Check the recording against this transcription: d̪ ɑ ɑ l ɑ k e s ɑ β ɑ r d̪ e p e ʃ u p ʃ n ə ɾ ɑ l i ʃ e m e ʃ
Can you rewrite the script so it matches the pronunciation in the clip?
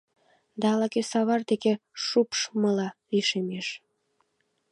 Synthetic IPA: d̪ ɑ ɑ l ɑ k e s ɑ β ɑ r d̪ e k e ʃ u p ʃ m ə l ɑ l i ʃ e m e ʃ